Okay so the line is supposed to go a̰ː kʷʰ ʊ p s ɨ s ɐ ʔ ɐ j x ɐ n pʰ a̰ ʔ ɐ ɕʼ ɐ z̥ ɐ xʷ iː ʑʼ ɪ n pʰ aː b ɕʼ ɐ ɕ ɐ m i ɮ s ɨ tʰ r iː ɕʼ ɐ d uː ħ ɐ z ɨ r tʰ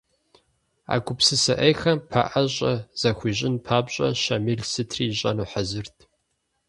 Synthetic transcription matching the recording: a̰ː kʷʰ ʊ p s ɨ s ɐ ʔ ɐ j x ɐ m pʰ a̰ ʔ ɐ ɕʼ ɐ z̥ ɐ xʷ iː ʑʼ ɪ n pʰ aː b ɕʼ ɐ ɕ ɐ m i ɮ s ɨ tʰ r iː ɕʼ ɐ n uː ħ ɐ z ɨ r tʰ